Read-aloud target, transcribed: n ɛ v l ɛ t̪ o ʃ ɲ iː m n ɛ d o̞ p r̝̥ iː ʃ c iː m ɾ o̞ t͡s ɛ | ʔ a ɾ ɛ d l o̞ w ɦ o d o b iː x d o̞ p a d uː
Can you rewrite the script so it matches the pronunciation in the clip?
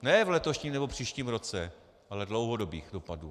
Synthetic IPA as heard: n ɛ v l ɛ t̪ o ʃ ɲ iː m n ɛ b o̞ p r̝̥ iː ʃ c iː m ɾ o̞ t͡s ɛ | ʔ a l ɛ d l o̞ w ɦ o d o b iː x d o̞ p a d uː